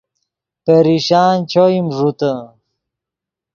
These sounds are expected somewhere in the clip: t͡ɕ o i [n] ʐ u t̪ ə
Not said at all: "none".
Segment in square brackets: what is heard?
m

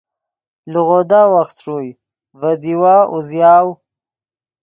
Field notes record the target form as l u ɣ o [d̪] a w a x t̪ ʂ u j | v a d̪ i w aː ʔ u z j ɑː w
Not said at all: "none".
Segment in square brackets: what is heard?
d̪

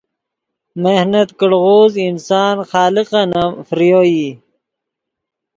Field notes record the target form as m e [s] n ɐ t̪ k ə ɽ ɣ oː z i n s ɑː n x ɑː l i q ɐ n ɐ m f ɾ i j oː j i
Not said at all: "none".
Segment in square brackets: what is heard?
h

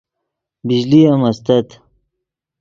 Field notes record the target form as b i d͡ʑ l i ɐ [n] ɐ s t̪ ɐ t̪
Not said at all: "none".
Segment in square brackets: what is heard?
m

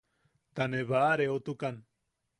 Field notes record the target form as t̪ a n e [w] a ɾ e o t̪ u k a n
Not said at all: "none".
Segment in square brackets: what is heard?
β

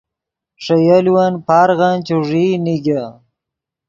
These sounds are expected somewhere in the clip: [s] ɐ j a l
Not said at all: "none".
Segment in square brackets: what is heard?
ʂ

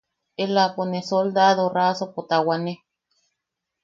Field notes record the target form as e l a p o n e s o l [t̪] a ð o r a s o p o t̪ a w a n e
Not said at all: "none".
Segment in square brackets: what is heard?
d̪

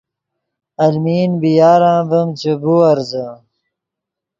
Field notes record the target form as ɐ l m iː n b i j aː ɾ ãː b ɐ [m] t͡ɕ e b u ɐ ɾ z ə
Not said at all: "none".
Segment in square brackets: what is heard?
m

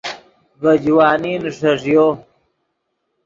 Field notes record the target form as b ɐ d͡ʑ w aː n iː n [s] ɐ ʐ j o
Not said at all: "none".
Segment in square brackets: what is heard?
ʂ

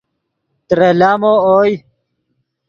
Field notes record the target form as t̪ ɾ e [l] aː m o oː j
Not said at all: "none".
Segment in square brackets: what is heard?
l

